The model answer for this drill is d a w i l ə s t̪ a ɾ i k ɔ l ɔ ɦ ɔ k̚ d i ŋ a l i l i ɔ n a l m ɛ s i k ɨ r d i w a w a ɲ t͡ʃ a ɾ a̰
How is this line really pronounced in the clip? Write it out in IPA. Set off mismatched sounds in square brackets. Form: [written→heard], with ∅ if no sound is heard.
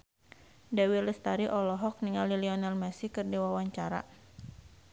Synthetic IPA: d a w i l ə s t̪ a ɾ i [k→ʔ] ɔ l ɔ ɦ ɔ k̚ [d→n] i ŋ a l i l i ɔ n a l m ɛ s i k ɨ r d i w a w a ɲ t͡ʃ a ɾ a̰